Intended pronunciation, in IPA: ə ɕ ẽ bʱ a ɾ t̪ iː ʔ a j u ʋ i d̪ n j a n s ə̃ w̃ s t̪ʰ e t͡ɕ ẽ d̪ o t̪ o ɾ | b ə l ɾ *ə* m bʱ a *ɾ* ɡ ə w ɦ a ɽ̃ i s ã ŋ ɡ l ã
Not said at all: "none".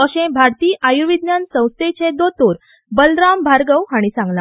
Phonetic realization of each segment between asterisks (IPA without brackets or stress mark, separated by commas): a, ɾ